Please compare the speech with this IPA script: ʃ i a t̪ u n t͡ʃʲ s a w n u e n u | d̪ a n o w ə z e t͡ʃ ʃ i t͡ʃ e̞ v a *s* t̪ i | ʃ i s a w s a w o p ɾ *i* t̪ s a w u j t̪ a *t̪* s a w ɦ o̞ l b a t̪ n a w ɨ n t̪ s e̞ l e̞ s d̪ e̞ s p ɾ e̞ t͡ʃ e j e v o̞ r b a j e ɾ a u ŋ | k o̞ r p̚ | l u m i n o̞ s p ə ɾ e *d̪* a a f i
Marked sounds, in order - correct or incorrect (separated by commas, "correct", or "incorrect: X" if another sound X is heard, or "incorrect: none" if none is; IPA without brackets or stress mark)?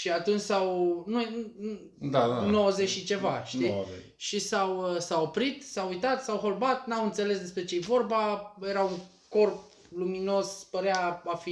incorrect: ʃ, correct, correct, incorrect: none